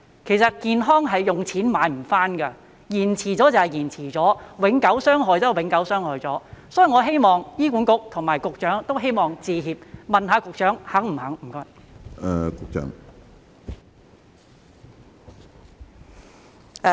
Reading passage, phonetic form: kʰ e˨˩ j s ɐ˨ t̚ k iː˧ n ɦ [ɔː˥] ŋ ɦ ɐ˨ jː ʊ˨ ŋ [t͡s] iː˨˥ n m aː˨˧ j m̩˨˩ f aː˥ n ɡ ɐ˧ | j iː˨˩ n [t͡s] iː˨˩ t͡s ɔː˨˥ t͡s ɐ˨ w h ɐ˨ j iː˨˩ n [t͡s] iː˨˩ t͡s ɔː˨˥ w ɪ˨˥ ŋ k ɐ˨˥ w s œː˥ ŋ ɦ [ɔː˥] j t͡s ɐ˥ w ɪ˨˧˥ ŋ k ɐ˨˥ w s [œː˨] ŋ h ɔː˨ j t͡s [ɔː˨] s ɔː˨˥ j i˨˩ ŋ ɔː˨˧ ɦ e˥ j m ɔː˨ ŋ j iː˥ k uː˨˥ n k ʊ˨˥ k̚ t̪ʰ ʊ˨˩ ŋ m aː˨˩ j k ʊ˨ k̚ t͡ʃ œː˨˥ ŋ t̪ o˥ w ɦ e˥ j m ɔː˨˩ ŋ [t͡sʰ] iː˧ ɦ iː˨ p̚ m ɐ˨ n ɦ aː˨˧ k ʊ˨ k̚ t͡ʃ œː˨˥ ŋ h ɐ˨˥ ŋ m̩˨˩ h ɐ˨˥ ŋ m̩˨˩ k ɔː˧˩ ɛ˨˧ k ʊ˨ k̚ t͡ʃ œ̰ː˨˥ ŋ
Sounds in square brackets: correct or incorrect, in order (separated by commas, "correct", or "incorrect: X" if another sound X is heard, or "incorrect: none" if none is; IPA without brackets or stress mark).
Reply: correct, incorrect: t͡sʰ, incorrect: t͡sʰ, incorrect: t͡sʰ, incorrect: ɔː˨˧, incorrect: œː˥, incorrect: ɔː˨˥, incorrect: t͡s